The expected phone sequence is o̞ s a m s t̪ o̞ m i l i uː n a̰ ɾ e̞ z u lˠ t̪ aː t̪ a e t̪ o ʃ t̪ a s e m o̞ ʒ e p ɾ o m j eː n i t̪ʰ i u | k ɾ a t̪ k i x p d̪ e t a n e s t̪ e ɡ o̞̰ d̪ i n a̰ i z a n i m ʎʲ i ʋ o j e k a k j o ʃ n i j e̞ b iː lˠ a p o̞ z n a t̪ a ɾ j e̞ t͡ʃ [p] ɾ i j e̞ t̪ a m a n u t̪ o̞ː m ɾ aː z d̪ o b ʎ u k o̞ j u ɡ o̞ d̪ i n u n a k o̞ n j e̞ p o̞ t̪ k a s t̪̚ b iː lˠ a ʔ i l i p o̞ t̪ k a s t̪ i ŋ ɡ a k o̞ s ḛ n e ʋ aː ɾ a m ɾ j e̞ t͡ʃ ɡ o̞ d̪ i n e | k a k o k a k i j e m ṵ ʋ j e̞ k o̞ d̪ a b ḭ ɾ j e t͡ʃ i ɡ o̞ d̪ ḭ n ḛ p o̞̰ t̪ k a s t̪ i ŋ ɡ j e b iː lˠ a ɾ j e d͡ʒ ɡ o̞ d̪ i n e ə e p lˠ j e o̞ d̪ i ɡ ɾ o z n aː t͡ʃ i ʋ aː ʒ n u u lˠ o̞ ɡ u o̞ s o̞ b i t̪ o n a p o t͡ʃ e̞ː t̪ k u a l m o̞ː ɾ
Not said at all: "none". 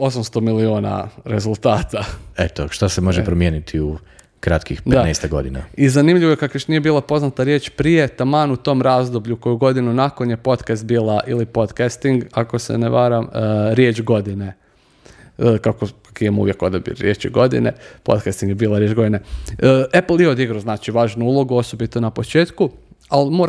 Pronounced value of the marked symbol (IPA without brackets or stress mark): p